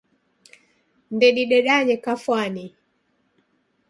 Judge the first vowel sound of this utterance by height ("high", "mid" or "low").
mid